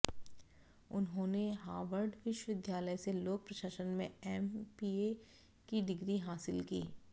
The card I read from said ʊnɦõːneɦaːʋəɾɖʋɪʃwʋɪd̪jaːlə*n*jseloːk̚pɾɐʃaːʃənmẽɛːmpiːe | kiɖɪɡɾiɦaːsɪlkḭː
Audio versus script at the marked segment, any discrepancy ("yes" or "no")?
yes